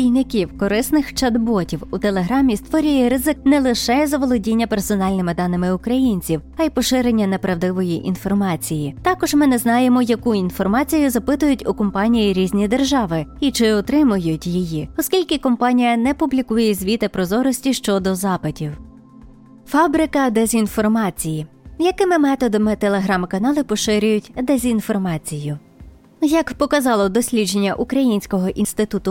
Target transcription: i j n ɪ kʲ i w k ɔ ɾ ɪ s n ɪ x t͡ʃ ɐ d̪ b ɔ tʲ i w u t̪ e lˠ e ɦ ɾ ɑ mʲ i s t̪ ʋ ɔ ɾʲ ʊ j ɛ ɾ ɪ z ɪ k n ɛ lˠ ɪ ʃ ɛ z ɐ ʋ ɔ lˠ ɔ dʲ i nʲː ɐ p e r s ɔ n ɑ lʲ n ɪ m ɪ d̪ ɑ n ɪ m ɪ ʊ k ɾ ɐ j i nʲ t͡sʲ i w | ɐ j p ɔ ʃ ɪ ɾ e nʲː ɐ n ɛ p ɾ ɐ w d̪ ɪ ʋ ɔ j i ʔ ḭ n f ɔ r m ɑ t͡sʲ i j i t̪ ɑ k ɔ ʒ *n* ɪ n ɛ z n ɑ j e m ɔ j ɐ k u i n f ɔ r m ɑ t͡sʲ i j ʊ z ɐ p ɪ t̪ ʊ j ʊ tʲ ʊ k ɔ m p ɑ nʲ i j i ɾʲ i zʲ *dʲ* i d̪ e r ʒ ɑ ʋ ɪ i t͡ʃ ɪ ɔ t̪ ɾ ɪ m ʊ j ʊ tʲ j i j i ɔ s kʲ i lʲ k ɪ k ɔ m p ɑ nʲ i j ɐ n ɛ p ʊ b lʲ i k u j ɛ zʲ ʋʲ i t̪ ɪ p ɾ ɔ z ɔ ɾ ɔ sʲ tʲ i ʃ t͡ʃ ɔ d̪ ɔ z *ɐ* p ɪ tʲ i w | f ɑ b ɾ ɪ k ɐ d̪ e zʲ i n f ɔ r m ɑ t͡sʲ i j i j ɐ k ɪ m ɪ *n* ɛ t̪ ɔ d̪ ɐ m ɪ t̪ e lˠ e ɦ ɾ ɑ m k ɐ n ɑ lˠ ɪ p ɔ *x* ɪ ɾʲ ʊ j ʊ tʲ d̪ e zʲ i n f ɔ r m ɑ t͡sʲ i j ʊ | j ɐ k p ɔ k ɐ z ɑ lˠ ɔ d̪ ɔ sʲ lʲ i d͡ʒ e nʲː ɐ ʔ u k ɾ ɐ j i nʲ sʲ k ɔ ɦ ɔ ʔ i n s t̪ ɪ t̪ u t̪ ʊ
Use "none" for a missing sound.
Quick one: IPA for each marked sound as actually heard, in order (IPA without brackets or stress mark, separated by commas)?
m, nʲ, ɑ, m, ʃ